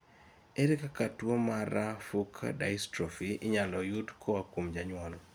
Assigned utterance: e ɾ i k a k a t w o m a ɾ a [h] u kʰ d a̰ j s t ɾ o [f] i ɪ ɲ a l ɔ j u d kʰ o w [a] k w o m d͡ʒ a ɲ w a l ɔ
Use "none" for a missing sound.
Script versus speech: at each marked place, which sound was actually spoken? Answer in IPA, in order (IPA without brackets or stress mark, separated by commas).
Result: f, f, a